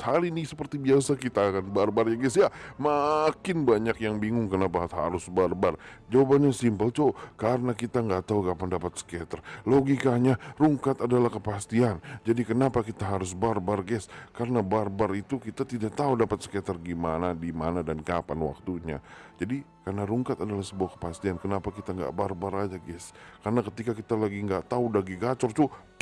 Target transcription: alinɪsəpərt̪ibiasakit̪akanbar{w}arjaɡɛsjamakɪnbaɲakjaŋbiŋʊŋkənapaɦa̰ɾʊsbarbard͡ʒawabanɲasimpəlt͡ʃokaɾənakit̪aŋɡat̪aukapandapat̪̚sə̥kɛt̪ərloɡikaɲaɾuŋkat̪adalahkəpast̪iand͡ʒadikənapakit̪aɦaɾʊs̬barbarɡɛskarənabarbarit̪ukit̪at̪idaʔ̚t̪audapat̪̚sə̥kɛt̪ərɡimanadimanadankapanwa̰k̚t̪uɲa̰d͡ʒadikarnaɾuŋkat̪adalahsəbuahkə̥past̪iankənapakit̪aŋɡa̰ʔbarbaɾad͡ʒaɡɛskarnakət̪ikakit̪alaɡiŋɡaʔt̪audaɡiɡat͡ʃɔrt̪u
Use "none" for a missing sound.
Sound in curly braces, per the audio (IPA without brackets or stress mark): b